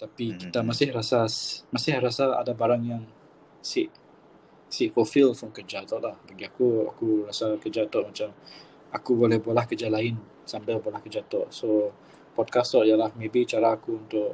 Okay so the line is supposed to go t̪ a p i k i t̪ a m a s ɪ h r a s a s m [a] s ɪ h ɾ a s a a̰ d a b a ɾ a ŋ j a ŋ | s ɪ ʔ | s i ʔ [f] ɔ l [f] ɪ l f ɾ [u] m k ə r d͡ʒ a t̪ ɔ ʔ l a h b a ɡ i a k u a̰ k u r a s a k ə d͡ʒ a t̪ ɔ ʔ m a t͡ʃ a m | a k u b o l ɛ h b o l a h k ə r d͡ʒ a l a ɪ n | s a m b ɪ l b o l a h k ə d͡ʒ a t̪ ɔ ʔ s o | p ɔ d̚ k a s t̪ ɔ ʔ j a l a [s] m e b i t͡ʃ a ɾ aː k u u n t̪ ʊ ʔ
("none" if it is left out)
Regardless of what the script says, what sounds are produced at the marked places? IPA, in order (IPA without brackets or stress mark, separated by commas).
a, f, f, ɔ, h